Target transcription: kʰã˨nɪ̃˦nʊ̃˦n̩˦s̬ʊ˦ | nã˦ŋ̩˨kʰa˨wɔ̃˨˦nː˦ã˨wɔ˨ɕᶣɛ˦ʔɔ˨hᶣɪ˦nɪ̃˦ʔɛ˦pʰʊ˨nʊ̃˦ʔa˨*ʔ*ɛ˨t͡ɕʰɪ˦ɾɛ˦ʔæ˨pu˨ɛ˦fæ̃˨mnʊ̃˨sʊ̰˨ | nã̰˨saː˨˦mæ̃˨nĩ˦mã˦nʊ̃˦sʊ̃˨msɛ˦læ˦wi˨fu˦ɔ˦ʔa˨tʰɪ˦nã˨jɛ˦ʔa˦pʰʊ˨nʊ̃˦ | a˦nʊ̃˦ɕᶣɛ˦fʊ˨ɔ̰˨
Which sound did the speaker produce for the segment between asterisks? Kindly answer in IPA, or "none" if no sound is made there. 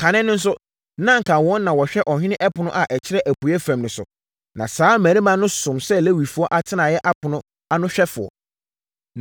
ʔ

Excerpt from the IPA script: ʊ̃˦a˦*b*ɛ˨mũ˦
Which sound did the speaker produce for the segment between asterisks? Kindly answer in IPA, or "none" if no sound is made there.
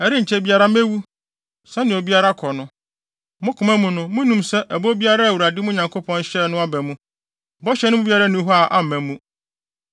b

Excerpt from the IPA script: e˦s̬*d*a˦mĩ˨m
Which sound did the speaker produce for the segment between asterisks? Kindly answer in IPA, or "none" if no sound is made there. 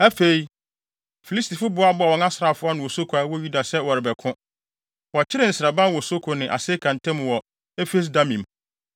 d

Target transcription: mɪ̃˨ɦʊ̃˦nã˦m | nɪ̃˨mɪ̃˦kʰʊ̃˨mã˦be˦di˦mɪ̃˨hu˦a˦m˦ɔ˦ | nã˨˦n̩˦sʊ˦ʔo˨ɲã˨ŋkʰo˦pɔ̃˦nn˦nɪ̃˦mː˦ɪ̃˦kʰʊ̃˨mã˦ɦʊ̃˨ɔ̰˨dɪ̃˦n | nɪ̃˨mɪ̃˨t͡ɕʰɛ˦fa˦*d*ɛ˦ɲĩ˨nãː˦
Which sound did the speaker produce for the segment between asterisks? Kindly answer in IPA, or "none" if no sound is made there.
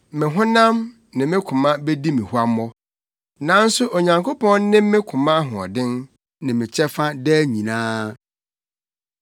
d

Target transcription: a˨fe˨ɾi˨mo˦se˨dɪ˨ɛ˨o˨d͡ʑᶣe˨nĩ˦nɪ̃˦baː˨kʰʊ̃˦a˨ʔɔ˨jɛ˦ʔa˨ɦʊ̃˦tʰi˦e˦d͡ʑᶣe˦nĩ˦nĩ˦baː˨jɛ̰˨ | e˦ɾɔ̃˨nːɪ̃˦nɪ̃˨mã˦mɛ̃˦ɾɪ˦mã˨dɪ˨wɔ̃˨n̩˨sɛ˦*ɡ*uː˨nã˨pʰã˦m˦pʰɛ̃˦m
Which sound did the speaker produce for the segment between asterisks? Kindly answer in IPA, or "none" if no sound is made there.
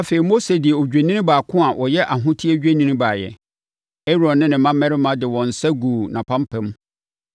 ɡ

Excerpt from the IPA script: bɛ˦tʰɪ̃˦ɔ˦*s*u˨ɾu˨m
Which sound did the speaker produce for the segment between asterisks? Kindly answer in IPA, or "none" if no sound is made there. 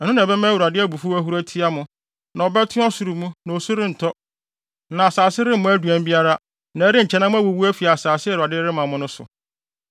s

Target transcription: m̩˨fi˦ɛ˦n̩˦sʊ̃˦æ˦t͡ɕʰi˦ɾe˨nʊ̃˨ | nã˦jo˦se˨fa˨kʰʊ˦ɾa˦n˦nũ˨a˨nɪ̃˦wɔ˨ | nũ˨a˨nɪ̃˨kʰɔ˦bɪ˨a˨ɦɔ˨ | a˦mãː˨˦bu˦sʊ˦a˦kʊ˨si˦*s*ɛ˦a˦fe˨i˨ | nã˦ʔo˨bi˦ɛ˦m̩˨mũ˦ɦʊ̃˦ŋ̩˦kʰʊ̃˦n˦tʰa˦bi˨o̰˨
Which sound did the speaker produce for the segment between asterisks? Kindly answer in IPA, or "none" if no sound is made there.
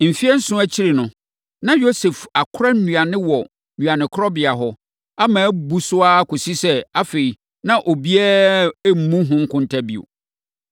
s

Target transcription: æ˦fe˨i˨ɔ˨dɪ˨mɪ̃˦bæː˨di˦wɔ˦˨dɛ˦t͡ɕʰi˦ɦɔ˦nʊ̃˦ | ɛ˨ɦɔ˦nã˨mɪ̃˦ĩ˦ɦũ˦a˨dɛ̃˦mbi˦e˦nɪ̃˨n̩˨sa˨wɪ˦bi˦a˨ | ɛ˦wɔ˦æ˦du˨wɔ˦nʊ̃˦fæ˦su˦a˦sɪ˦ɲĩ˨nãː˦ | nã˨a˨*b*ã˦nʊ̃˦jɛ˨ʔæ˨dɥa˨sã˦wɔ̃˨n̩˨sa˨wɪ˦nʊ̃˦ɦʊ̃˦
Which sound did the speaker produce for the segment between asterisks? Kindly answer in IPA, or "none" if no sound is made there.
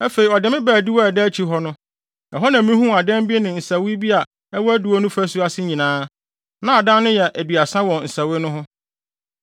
d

